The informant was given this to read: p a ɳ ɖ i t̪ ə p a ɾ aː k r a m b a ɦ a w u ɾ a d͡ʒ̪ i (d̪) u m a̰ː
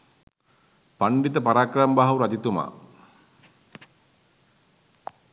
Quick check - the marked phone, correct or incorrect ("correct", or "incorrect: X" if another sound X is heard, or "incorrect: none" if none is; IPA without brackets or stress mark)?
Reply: incorrect: t̪